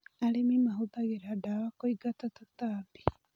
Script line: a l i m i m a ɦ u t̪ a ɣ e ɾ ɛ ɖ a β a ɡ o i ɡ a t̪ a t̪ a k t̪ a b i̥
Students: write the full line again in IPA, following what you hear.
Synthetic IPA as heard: a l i m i m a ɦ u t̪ a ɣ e ɾ a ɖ a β a k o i ɡ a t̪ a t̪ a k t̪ a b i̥